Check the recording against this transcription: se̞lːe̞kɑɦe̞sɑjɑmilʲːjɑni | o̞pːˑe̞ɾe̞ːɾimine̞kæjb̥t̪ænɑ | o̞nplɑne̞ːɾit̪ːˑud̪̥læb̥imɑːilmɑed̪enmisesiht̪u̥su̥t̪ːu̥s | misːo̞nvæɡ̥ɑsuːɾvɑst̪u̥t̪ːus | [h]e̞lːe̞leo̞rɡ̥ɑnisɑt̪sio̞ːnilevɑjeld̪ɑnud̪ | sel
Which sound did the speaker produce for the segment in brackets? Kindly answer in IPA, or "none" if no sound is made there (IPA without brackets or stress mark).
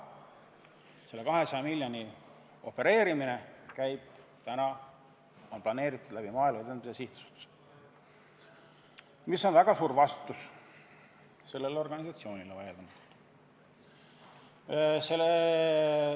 s